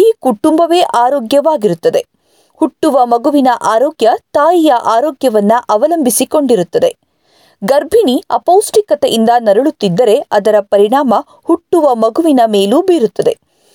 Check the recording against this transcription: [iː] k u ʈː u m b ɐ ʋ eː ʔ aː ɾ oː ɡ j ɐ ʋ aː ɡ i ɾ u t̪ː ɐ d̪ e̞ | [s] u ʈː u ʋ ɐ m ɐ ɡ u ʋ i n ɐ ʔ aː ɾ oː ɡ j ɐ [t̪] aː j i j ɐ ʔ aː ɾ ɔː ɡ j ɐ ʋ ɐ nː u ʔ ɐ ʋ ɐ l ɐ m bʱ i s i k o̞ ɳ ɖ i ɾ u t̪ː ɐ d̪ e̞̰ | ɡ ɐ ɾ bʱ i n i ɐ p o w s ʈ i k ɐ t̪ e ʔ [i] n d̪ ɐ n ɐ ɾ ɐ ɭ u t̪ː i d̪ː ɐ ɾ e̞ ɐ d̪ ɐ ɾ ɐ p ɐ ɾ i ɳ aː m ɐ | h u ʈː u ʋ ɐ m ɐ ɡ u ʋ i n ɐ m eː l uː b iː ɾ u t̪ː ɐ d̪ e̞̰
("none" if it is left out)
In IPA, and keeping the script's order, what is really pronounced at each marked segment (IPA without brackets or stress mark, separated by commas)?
iː, h, t̪, i